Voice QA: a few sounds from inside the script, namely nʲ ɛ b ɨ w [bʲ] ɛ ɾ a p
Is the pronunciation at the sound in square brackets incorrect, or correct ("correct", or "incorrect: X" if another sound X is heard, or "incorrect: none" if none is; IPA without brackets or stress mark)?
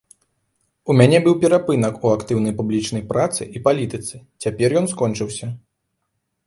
incorrect: pʲ